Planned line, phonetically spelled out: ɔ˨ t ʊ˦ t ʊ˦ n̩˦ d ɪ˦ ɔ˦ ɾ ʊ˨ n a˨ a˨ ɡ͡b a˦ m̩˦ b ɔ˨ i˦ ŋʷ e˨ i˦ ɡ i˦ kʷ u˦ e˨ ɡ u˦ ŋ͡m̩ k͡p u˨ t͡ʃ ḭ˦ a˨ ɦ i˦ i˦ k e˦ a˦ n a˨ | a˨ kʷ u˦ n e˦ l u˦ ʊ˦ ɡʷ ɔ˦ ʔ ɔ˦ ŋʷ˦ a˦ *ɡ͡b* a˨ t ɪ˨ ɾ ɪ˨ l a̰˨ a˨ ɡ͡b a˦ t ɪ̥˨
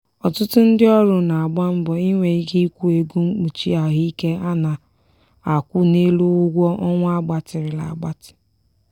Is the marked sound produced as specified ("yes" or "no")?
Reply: yes